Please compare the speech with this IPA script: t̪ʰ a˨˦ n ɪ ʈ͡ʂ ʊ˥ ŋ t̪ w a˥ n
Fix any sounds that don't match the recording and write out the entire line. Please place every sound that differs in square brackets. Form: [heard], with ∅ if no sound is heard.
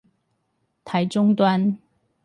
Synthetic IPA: t̪ʰ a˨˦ [∅] ɪ ʈ͡ʂ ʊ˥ ŋ t̪ w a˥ n